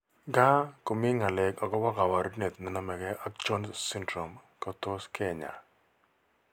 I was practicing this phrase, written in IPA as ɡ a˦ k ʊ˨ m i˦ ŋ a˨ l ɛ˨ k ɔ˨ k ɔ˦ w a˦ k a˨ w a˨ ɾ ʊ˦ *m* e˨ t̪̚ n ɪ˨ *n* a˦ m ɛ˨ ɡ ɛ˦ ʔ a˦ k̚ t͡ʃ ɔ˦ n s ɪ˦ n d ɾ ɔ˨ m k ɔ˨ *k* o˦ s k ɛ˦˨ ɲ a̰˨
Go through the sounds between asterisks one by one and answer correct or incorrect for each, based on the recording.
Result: incorrect: n, correct, incorrect: t

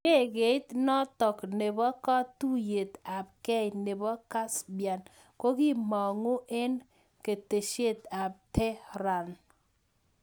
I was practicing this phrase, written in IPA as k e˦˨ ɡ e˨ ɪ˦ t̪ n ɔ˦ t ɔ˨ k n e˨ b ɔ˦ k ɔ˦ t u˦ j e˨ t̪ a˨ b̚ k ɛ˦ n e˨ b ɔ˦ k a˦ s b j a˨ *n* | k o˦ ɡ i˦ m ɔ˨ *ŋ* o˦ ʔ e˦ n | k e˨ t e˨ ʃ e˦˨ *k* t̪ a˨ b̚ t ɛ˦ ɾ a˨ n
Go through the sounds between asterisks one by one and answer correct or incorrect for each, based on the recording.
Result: correct, correct, incorrect: none

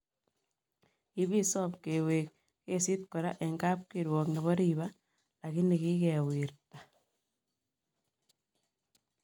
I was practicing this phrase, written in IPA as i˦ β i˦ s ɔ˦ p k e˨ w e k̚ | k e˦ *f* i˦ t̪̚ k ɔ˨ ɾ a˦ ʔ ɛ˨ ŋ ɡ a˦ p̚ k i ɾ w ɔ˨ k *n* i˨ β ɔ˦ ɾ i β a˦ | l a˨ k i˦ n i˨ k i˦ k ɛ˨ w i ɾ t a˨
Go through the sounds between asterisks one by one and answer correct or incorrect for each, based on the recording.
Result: incorrect: s, correct

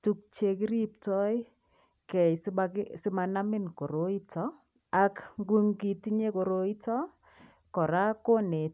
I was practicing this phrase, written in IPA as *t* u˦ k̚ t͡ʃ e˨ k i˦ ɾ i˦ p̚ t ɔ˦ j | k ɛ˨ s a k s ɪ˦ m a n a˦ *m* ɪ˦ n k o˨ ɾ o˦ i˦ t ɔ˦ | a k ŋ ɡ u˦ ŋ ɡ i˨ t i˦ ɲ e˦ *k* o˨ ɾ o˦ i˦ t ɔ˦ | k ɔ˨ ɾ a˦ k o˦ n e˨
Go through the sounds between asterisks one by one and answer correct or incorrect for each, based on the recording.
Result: correct, correct, correct

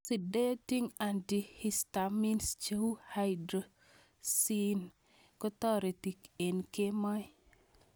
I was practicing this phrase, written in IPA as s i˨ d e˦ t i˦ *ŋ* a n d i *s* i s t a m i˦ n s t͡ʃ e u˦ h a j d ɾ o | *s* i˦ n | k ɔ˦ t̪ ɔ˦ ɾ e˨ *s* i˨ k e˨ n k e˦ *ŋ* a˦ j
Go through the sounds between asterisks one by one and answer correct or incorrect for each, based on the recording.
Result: correct, incorrect: h, correct, incorrect: t, incorrect: m

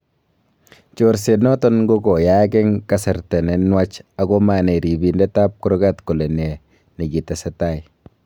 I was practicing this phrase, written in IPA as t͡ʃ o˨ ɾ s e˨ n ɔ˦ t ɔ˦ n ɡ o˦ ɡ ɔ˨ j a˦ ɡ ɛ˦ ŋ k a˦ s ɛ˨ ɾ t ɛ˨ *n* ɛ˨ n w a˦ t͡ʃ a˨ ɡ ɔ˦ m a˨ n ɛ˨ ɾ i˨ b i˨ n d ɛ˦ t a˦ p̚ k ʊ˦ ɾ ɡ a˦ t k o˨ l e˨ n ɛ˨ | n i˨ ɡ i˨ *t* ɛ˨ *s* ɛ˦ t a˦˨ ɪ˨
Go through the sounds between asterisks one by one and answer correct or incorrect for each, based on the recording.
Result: correct, correct, correct

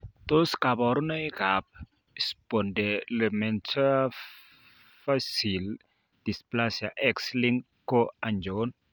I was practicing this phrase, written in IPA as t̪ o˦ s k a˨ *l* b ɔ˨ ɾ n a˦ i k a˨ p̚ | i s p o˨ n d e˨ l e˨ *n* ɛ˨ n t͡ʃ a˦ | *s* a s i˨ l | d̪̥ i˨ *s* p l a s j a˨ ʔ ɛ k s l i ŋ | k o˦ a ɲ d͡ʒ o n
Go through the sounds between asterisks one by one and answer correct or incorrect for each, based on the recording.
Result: incorrect: none, incorrect: m, incorrect: f, correct

